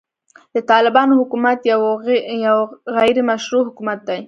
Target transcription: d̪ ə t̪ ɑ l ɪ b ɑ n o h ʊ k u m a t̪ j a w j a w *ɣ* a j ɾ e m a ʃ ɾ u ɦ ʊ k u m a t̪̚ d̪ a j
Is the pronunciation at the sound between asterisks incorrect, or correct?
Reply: correct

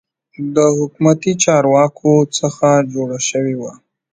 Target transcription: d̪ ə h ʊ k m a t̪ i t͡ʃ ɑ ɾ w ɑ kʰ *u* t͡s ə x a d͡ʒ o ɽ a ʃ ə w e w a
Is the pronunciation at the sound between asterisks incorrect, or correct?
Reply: incorrect: o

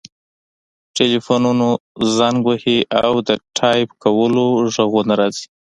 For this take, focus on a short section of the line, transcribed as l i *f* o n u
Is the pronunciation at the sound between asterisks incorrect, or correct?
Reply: correct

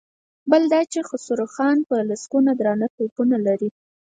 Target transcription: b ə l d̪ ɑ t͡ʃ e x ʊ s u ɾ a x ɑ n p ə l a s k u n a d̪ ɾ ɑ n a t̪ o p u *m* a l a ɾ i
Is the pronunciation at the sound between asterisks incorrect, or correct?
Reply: incorrect: n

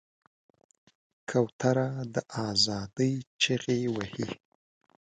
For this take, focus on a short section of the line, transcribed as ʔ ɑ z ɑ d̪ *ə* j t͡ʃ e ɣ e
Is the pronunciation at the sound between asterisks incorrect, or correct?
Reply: correct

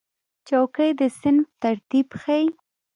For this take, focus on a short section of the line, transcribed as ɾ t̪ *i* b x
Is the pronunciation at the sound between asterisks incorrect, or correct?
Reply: correct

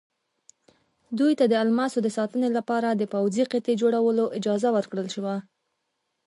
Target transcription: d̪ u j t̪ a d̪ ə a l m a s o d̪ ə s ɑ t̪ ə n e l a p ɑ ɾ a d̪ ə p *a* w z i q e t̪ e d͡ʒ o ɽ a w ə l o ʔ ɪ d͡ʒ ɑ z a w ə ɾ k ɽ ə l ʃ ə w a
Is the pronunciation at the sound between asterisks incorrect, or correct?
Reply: correct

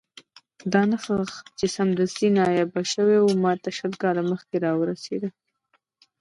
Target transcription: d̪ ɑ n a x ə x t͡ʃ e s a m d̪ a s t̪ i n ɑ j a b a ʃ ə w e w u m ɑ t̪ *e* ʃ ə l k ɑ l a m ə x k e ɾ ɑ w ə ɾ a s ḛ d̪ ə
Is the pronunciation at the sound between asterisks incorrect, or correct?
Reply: incorrect: a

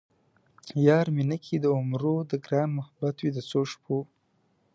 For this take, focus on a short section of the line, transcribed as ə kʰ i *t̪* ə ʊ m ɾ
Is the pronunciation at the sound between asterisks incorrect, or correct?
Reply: incorrect: d̪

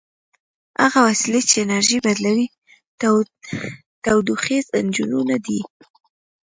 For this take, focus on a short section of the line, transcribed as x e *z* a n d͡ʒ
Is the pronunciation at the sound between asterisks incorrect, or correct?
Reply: correct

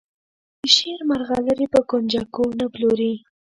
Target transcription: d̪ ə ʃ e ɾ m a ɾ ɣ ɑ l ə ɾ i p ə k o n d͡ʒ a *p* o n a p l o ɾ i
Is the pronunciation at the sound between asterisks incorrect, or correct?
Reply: incorrect: k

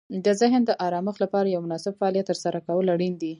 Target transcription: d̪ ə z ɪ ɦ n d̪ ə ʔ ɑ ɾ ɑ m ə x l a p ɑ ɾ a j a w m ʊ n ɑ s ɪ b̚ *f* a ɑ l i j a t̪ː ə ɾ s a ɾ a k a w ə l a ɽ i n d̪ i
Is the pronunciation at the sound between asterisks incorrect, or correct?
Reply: correct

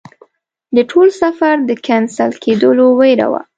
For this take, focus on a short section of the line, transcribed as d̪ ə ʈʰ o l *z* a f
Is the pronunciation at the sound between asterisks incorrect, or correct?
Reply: incorrect: s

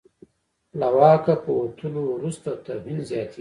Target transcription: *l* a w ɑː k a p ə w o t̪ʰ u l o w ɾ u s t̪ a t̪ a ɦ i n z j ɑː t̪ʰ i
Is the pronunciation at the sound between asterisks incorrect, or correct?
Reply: correct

